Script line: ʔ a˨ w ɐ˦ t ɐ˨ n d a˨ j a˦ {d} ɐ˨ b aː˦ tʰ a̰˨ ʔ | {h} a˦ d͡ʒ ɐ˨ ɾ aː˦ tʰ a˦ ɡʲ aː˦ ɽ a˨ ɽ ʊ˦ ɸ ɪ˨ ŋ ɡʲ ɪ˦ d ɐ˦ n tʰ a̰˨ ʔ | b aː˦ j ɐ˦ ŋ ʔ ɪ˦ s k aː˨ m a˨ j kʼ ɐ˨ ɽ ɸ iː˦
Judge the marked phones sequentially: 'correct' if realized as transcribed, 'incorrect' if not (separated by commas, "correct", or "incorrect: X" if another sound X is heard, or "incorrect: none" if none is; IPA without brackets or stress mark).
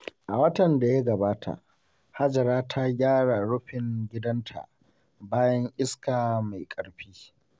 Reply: incorrect: ɡ, correct